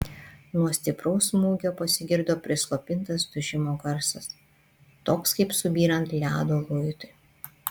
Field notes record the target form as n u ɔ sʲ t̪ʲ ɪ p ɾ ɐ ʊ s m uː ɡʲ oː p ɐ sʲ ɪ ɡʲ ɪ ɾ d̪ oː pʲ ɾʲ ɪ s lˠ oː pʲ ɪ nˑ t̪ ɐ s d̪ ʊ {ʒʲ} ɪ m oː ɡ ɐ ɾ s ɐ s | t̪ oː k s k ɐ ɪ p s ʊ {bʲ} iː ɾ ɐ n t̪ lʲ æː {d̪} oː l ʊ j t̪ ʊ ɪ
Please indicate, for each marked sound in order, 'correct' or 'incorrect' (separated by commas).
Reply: correct, correct, correct